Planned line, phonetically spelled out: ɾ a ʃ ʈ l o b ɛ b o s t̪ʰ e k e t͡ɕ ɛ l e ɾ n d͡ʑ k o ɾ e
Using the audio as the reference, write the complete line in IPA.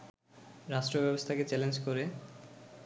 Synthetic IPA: ɾ a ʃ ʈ ɾ o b ɛ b o s t̪ʰ a k e t͡ɕ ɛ l e n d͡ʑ k o ɾ e